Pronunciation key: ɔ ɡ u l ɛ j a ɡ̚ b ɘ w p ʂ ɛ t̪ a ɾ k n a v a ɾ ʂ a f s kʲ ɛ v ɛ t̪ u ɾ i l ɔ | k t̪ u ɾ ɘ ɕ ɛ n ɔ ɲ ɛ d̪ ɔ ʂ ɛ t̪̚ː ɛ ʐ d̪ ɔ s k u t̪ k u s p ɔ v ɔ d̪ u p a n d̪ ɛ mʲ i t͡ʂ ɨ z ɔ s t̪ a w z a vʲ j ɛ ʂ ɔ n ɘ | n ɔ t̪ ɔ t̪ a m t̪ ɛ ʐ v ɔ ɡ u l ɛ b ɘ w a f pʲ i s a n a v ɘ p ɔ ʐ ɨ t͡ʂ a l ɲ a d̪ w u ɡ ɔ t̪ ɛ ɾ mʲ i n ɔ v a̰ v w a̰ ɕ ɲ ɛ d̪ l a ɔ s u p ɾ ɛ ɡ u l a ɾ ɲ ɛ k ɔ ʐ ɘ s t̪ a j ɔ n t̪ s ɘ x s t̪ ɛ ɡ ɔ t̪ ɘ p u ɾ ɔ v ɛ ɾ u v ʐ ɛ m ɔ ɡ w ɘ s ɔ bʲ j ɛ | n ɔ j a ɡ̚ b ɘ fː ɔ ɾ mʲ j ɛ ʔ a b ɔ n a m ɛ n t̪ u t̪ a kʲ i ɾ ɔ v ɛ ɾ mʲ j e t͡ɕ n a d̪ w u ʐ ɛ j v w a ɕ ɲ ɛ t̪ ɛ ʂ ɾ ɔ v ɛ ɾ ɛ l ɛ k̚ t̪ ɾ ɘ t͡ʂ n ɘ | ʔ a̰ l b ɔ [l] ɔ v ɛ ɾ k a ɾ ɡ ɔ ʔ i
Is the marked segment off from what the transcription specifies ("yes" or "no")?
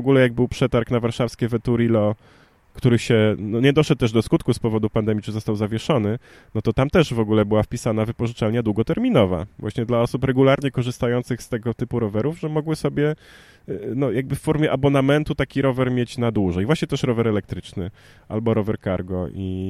yes